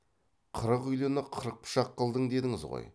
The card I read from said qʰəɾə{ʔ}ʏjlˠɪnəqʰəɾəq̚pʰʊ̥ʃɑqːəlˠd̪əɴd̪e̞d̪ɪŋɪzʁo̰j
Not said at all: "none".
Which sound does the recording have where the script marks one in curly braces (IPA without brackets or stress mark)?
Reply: q